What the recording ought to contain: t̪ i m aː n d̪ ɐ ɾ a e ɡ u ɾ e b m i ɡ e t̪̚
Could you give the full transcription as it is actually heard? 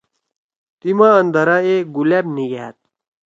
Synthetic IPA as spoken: t̪ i m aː n d̪ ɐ ɾ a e ɡ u l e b n i ɡ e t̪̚